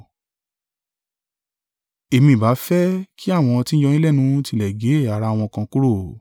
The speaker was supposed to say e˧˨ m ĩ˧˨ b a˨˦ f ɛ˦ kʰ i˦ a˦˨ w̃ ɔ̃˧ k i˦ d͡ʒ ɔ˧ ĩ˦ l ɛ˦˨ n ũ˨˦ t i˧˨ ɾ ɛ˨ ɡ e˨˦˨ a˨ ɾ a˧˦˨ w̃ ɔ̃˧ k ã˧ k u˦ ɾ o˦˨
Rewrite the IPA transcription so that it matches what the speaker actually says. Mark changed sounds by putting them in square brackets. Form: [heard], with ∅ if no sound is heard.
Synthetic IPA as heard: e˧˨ m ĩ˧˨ b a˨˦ f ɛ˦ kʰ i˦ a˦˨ w̃ ɔ̃˧ [t] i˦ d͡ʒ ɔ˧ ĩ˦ l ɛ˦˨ n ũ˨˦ t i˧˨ [l] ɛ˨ ɡ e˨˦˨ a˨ ɾ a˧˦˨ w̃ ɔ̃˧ k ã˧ k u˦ ɾ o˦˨